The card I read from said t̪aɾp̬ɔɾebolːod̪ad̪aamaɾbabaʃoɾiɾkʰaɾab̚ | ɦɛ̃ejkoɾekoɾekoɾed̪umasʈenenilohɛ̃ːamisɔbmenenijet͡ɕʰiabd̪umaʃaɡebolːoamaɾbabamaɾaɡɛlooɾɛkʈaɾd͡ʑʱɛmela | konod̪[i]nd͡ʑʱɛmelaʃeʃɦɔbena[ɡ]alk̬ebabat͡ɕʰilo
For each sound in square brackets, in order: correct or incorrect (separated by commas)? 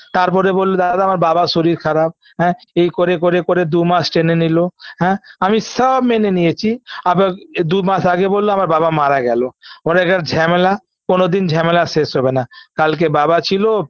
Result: correct, incorrect